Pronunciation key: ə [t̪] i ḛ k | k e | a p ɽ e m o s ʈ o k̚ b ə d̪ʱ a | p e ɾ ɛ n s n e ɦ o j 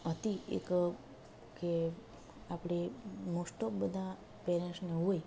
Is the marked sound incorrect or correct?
correct